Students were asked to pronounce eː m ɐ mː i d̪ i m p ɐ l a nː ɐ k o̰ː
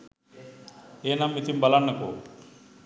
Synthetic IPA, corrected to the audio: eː n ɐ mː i t̪ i m b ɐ l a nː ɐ k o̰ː